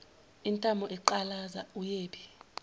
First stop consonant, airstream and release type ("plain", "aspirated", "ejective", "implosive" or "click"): ejective